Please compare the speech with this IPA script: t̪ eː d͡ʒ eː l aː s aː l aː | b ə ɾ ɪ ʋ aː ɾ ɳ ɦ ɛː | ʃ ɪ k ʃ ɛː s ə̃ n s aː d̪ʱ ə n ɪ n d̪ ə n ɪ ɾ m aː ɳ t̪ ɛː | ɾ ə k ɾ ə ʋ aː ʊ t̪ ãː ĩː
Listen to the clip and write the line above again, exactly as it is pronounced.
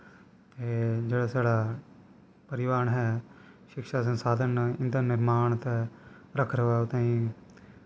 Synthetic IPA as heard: t̪ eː d͡ʒ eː ɽ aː s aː ɽ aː | p ə ɾ ɪ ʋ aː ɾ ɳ ɦ ɛː | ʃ ɪ k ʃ aː s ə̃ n s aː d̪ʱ ə n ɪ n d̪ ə n ɪ ɾ m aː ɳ t̪ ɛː | ɾ ə kʰ ɾ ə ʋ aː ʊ t̪ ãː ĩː

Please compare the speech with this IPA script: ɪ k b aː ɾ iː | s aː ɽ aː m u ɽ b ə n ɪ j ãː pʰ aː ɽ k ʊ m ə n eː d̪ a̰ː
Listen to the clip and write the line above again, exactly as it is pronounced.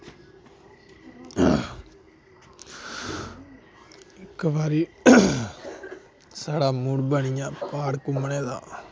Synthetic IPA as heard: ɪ k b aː ɾ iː | s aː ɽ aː m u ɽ b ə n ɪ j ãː p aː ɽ k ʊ m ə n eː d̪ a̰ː

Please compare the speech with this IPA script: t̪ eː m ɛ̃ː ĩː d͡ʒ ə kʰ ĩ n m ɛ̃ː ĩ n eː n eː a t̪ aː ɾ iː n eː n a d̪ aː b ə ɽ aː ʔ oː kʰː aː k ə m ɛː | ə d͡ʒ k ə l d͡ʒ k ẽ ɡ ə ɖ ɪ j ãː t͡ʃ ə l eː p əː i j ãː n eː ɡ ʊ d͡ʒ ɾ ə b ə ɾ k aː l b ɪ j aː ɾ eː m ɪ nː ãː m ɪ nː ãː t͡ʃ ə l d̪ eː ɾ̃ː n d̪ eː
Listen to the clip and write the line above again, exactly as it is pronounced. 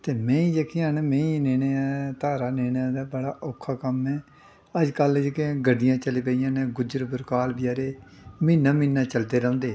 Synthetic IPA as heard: t̪ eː m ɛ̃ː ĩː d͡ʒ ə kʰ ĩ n m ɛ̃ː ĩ n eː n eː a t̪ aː ɾ aː n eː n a d̪ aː b ə ɽ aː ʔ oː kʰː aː k ə m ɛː | ə d͡ʒ k ə l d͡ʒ k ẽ ɡ ə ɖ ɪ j ãː t͡ʃ ə l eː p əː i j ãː n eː ɡ ʊ d͡ʒ ɾ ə b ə ɾ k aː l b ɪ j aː ɾ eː m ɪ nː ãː m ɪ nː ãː t͡ʃ ə l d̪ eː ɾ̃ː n d̪ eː

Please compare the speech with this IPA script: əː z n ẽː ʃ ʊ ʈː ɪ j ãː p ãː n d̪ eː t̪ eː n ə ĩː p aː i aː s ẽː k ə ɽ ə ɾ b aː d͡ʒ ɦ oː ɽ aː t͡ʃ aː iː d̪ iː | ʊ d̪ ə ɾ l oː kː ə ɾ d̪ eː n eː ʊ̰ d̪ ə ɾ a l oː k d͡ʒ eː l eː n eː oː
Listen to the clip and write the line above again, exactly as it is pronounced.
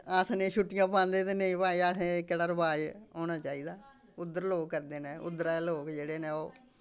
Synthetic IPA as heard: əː s n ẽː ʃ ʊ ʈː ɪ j ãː p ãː n d̪ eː t̪ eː n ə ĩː p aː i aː s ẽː k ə ɽ ə ɾ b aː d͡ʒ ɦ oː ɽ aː t͡ʃ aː iː d̪ aː | ʊ d̪ ə ɾ l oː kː ə ɾ d̪ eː n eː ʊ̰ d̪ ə ɾ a l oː k d͡ʒ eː ɽ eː n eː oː

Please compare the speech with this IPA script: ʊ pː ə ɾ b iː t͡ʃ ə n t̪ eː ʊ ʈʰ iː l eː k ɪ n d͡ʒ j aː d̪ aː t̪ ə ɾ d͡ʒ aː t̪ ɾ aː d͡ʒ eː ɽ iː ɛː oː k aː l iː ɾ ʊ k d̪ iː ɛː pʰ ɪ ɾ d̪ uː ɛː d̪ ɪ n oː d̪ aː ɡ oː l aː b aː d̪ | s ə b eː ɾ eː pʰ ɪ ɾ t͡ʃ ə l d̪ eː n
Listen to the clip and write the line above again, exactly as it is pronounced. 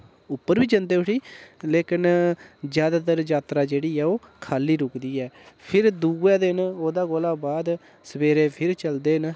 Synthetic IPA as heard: ʊ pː ə ɾ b iː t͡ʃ ə n d̪ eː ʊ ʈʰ iː l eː k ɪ n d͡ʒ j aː d̪ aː t̪ ə ɾ d͡ʒ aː t̪ ɾ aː d͡ʒ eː ɽ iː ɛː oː kʰ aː l iː ɾ ʊ k d̪ iː ɛː pʰ ɪ ɾ d̪ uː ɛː d̪ ɪ n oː d̪ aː ɡ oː l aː b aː d̪ | s ə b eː ɾ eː pʰ ɪ ɾ t͡ʃ ə l d̪ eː n

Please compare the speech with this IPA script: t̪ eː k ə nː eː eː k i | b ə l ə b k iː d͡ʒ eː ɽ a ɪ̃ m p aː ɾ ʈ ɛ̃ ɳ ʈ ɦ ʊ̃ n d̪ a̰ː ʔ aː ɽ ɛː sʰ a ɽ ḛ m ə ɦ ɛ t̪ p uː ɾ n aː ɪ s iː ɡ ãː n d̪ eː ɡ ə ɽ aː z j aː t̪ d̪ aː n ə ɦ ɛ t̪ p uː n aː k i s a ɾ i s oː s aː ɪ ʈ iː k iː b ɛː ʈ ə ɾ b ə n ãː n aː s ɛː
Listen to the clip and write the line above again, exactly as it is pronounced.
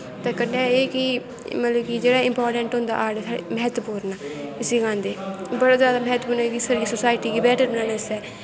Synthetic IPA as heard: t̪ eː k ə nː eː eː k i | m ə l ə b k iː d͡ʒ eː ɽ a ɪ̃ m p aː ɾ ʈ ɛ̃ ɳ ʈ ɦ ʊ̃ n d̪ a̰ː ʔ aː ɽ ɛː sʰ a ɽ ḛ m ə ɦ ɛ t̪ p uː ɾ n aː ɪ s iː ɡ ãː n d̪ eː b ə ɽ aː z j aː d̪ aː m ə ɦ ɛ t̪ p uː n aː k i s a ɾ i s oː s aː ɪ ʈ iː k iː b ɛː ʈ ə ɾ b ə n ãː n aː s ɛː

